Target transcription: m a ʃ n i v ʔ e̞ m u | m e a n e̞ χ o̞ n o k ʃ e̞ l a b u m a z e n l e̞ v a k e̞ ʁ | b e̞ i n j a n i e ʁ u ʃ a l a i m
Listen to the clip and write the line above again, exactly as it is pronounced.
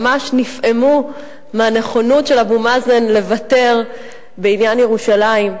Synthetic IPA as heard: m a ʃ n i f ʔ e̞ m u | m e a n e̞ χ o̞ n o t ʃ e̞ l a b u m a z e n l e̞ v a t e̞ ʁ | b e̞ i n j a n j e ʁ u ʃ a l a i m